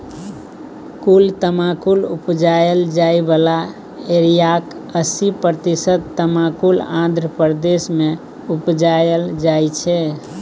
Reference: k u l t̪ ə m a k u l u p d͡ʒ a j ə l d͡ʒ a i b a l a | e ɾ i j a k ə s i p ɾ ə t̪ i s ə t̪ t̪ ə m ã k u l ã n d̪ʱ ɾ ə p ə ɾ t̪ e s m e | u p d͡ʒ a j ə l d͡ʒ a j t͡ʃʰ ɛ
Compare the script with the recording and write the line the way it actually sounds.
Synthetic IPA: k u l t̪ ə m a k u l u p d͡ʒ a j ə l d͡ʒ a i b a l a | e ɾ i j a k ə s i p ɾ ə t̪ i s ə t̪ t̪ ə m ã k u l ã n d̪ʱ ɾ ə p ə ɾ d̪ e s m e | u p d͡ʒ a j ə l d͡ʒ a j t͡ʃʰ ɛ